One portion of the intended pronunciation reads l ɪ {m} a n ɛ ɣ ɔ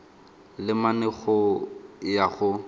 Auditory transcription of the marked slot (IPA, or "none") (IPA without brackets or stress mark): m